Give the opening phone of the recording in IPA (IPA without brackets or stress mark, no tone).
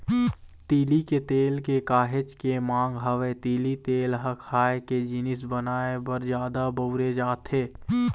t̪